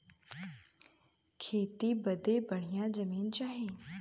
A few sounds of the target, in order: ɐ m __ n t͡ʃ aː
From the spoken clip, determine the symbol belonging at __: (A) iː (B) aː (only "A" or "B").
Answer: A